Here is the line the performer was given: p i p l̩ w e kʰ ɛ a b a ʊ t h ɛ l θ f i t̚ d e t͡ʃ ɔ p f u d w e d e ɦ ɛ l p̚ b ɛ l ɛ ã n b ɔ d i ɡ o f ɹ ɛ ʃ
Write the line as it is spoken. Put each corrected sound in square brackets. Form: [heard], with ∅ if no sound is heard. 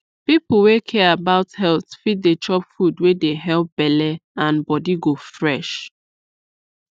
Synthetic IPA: p i p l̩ w e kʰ ɛ a b a ʊ t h ɛ l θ f i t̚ d e t͡ʃ ɔ p f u d w e d e ɦ ɛ l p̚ b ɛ l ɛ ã n b ɔ d i ɡ o f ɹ ɛ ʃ